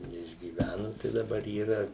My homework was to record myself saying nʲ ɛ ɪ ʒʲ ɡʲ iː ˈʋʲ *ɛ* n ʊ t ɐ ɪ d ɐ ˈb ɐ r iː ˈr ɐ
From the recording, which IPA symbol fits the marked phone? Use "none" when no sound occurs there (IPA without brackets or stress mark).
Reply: æ